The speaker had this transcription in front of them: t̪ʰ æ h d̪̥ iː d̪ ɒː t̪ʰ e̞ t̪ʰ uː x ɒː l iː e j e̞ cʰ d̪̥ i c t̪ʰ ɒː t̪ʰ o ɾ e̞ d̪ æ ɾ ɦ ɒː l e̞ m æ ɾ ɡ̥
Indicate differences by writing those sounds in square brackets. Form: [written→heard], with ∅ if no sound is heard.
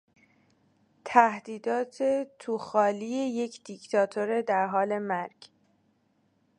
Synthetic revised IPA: t̪ʰ æ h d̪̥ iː d̪ ɒː t̪ʰ e̞ t̪ʰ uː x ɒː l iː e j e̞ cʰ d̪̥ i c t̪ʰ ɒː t̪ʰ o ɾ e̞ d̪ æ ɾ ɦ ɒː l e̞ m æ ɾ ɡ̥